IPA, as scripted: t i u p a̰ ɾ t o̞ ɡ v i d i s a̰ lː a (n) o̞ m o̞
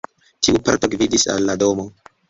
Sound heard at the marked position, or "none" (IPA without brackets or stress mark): d